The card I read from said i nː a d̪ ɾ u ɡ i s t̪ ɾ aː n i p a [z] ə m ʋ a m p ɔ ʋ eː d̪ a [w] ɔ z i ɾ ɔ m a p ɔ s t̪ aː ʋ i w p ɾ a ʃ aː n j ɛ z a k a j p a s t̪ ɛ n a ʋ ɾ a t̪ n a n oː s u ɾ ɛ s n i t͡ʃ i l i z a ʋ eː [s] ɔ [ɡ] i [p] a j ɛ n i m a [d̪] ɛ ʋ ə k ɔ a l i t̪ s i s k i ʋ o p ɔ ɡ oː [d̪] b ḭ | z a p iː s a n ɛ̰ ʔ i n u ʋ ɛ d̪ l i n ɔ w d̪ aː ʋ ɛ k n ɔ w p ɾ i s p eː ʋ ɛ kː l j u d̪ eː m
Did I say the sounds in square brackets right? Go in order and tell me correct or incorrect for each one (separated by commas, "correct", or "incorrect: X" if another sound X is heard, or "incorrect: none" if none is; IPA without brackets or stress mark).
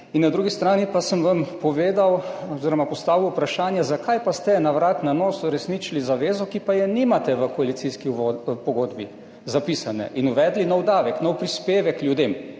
incorrect: s, correct, incorrect: z, incorrect: k, correct, incorrect: t̪, correct